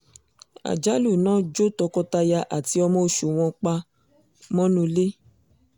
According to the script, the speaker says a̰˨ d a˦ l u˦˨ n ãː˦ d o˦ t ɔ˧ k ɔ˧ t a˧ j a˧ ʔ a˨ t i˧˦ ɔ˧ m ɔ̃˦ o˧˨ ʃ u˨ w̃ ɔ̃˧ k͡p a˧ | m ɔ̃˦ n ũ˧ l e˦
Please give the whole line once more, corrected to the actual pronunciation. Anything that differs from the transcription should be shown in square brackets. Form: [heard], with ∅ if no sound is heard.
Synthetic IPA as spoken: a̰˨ [d͡ʒ] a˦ l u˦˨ n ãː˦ [d͡ʒ] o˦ t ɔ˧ k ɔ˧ t a˧ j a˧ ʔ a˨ t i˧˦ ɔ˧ m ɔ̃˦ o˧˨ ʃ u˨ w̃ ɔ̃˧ k͡p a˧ | m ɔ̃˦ n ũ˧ l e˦

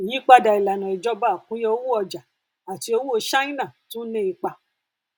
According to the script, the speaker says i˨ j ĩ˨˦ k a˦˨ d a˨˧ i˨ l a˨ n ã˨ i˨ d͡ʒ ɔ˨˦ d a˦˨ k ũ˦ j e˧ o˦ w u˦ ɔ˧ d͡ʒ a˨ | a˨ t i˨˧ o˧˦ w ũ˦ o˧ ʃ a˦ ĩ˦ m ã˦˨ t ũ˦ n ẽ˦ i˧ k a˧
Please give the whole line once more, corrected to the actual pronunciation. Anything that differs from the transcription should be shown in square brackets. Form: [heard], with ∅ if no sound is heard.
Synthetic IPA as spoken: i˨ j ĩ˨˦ [k͡p] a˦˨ d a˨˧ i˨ l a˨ n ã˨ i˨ d͡ʒ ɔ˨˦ [b] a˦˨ k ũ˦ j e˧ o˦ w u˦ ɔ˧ d͡ʒ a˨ | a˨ t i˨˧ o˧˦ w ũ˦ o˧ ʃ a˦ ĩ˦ [n] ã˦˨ t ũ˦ n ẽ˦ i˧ [k͡p] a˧

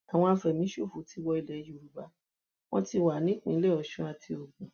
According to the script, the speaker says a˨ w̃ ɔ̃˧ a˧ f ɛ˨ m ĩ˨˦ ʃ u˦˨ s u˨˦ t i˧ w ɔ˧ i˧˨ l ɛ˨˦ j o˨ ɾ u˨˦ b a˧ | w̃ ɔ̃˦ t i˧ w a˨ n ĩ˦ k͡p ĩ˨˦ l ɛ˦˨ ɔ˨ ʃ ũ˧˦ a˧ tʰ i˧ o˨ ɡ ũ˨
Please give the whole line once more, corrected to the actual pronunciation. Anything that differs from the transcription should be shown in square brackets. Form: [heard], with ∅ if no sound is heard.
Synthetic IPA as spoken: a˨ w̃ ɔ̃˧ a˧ f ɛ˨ m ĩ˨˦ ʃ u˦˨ [f] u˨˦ t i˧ w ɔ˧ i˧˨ l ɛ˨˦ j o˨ ɾ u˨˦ b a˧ | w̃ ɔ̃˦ t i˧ w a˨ n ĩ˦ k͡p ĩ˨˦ l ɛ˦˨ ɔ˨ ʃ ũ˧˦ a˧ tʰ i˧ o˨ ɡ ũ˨

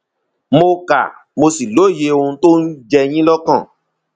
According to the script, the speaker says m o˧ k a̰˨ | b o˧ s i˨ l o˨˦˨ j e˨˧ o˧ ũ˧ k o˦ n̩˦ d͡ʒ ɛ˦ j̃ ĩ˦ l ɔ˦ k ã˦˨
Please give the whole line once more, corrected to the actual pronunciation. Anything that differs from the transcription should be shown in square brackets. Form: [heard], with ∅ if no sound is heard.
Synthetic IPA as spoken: m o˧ k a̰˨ | [m] o˧ s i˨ l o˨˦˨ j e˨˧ o˧ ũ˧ [t] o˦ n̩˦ d͡ʒ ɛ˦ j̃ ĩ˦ l ɔ˦ k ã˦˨

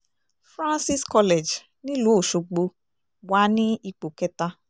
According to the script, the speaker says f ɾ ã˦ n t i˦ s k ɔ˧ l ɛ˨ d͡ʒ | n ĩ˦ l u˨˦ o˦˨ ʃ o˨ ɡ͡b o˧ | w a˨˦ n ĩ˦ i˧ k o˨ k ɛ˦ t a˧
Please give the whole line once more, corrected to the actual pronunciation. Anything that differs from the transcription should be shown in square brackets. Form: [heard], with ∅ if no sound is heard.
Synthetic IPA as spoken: f ɾ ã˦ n [s] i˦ s k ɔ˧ l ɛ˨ d͡ʒ | n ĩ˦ l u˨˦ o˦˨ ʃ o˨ ɡ͡b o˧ | w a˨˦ n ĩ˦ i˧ [k͡p] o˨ k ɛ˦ t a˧

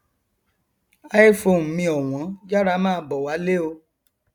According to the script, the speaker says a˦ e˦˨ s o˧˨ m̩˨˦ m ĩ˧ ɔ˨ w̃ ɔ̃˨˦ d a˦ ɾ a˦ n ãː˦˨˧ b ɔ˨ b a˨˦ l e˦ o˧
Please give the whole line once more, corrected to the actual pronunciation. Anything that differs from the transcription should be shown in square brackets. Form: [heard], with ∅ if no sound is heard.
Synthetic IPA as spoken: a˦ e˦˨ [f] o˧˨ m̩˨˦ m ĩ˧ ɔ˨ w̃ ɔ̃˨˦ [d͡ʒ] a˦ ɾ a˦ [m] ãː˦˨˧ b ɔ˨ [w] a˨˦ l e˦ o˧

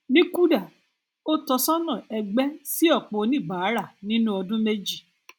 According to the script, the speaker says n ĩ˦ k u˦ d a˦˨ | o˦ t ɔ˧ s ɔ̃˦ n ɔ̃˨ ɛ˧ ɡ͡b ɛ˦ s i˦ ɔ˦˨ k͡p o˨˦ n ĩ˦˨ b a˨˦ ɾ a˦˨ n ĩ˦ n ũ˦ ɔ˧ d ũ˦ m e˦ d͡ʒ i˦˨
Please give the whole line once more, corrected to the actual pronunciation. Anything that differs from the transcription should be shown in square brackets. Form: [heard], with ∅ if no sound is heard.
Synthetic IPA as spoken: n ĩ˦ k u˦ d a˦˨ | o˦ t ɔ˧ s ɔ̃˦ n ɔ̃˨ ɛ˧ ɡ͡b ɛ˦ s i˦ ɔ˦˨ k͡p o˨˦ n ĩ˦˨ b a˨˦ ɾ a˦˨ n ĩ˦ n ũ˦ ɔ˧ d ũ˦ m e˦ d͡ʒ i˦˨

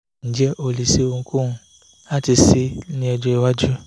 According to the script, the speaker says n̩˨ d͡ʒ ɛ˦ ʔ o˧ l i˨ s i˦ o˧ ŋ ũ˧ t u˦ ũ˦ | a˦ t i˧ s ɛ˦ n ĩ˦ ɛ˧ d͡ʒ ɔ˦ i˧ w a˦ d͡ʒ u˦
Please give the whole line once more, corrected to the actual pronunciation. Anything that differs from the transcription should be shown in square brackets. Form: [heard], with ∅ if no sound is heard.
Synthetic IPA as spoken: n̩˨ d͡ʒ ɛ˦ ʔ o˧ l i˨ s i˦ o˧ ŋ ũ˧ [k] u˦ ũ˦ | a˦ t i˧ s [i˦] n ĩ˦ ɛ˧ d͡ʒ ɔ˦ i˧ w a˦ d͡ʒ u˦

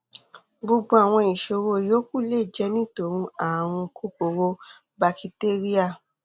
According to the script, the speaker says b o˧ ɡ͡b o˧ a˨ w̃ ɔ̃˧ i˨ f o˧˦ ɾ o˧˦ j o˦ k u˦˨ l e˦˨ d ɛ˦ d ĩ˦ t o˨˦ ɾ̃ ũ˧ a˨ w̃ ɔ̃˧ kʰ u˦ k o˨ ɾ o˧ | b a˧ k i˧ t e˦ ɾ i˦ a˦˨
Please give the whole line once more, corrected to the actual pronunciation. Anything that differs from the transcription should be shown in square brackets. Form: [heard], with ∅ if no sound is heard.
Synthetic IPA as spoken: b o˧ ɡ͡b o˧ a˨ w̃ ɔ̃˧ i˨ [ʃ] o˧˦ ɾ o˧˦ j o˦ k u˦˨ l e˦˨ [d͡ʒ] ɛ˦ [n] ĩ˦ t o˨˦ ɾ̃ ũ˧ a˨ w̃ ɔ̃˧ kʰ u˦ k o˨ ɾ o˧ | b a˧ k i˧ t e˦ ɾ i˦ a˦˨

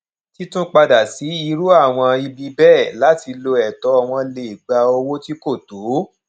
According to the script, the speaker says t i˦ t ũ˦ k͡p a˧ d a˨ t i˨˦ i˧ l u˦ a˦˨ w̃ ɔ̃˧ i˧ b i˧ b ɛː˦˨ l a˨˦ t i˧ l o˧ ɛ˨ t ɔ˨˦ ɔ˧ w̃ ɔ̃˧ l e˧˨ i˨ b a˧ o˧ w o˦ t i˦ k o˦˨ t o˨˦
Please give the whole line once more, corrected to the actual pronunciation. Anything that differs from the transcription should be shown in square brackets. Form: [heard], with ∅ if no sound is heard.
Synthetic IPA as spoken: t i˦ t ũ˦ k͡p a˧ d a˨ [s] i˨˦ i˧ [ɾ] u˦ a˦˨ w̃ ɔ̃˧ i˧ b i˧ b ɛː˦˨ l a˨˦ t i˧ l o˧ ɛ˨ t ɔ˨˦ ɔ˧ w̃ ɔ̃˧ l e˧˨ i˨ [ɡ͡b] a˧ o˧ w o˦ t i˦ k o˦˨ t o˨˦

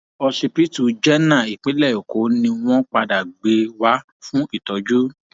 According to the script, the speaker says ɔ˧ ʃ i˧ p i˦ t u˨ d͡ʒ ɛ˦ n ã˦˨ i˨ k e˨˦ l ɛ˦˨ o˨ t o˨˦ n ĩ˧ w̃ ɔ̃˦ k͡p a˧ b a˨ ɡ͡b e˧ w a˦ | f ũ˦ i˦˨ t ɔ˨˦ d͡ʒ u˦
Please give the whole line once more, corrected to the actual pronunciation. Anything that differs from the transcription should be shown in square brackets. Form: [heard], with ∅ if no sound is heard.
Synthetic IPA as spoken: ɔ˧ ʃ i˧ p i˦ t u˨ d͡ʒ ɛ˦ n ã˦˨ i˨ [k͡p] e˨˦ l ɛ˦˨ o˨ [k] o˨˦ n ĩ˧ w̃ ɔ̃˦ k͡p a˧ [d] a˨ ɡ͡b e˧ w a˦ | f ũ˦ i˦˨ t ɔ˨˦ d͡ʒ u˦

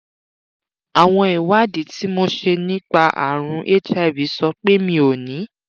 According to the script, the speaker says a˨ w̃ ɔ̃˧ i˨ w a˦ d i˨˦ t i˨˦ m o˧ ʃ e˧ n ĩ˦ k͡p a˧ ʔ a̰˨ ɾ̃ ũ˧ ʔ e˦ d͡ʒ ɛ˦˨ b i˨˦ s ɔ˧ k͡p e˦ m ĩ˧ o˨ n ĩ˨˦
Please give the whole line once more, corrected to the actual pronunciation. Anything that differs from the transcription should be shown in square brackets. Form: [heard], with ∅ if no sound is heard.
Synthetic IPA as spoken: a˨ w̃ ɔ̃˧ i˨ w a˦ d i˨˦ t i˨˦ m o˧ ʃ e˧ n ĩ˦ k͡p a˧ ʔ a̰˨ ɾ̃ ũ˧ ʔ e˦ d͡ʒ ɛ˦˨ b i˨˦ s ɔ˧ k͡p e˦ m ĩ˧ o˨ n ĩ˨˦

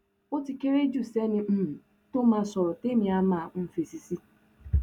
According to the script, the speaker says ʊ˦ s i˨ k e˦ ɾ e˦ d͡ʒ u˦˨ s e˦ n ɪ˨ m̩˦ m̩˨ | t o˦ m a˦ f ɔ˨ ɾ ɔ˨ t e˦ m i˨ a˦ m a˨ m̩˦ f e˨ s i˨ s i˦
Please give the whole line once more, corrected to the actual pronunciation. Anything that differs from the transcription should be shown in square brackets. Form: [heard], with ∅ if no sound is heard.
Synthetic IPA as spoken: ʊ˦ [t] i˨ k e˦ ɾ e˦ d͡ʒ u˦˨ s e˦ n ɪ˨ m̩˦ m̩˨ | t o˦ m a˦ [s] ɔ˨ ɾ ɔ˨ t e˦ m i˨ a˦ m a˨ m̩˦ f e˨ s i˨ s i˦

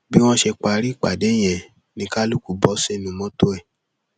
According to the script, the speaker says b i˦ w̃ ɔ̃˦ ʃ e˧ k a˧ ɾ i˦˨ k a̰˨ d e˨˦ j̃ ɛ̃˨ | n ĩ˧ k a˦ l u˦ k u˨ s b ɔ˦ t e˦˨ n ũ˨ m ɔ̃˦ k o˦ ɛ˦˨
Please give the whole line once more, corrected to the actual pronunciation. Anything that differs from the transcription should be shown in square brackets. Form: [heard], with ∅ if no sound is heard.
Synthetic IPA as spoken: b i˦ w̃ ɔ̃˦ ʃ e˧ [k͡p] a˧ ɾ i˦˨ [k͡p] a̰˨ d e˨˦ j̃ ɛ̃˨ | n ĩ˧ k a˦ l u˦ k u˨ [∅] b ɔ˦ [s] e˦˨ n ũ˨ m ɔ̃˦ [t] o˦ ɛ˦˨

